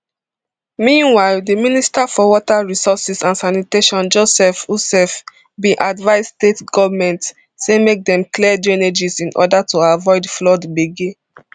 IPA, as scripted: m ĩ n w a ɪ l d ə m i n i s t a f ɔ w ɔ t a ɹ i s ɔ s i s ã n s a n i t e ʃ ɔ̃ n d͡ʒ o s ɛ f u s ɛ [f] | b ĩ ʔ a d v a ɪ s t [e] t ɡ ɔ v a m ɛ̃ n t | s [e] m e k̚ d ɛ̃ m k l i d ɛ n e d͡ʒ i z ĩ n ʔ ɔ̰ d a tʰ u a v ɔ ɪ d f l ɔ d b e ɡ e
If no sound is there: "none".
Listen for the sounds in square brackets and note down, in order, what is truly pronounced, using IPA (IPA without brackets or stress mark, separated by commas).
f, e, e